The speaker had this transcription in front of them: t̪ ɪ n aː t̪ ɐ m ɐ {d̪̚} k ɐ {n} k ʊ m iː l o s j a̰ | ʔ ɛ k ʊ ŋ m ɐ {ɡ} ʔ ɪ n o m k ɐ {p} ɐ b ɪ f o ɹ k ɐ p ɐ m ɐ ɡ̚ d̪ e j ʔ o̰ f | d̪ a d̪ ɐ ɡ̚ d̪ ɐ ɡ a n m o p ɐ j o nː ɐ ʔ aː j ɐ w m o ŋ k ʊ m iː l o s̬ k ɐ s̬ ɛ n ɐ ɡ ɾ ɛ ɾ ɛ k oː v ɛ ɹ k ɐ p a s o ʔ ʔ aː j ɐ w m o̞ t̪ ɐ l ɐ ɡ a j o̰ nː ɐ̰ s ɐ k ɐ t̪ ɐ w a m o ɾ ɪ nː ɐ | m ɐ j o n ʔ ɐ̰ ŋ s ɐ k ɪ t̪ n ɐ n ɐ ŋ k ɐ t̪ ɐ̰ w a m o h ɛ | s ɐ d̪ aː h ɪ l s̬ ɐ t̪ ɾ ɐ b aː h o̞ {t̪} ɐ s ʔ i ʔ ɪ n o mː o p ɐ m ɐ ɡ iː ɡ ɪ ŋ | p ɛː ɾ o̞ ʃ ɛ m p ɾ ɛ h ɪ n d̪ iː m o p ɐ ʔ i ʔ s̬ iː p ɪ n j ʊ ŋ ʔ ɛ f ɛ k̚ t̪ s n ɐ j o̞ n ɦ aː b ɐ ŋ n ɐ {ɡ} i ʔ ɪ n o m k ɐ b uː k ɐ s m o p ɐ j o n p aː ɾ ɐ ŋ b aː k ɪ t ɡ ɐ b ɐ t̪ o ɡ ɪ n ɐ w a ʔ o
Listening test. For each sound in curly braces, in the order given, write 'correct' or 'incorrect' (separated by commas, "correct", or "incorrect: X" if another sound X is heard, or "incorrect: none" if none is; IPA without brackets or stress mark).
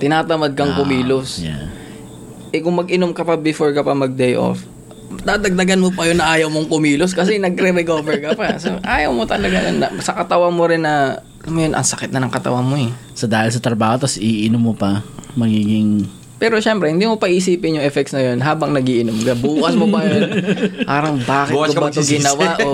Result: correct, incorrect: ŋ, correct, correct, correct, correct